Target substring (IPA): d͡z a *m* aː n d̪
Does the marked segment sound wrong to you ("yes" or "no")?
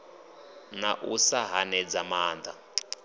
no